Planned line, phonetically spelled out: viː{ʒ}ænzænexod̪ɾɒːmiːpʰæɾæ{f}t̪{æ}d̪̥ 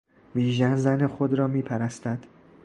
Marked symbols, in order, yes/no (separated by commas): yes, no, yes